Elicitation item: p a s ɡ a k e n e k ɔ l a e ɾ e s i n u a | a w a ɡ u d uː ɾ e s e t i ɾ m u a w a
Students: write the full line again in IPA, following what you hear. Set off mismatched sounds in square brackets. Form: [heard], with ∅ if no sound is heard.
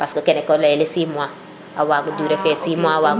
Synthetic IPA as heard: p a s [k] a k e n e k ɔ l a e [l] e s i [m] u a | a w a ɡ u d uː ɾ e [f] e [s] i [∅] m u a w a